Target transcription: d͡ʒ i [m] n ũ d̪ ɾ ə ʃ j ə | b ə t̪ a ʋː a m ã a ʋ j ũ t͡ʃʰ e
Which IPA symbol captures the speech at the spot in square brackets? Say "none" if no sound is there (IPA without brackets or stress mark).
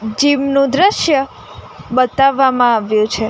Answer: m